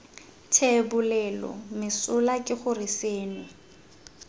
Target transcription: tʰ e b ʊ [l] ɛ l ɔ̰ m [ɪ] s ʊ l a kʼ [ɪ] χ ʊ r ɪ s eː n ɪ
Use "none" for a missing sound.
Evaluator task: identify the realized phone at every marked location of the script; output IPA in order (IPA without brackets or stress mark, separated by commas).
l, ɪ, ɪ